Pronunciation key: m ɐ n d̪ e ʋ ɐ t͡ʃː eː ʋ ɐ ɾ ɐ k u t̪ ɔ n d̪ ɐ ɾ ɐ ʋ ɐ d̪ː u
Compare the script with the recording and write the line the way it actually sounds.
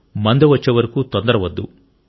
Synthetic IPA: m ɐ n d̪ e ʋ ɐ t͡ʃː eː ʋ ɐ ɾ ɐ k u t̪ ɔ n d̪ ɐ ɾ ɐ ʋ ɐ d̪ː u